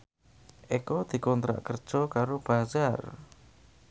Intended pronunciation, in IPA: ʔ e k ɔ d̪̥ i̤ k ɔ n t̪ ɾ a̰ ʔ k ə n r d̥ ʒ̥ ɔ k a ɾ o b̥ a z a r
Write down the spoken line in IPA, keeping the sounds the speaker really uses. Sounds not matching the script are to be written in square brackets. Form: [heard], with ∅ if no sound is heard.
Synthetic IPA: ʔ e k ɔ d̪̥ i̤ k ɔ n t̪ ɾ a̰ ʔ k ə [∅] r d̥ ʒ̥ ɔ k a ɾ o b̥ a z a r